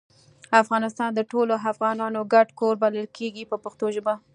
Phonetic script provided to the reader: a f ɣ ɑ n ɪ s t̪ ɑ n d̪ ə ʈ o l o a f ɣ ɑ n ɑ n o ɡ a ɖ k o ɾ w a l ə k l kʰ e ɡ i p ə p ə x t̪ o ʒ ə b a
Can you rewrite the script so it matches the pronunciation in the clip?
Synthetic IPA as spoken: a f ɣ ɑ n ɪ s t̪ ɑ n d̪ ə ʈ o l o a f ɣ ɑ n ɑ n o ɡ a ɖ k o ɾ b a l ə l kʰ e ɡ i p ə p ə x t̪ o ʒ ə b a